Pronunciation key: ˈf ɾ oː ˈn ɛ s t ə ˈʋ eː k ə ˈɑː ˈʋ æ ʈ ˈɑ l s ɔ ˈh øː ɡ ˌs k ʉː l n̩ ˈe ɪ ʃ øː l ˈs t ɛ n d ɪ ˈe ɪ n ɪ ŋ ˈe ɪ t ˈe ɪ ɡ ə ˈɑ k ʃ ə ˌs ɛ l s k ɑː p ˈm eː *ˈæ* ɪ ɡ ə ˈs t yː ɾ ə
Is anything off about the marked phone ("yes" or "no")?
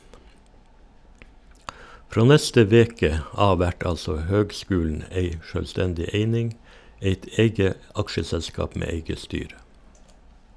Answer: yes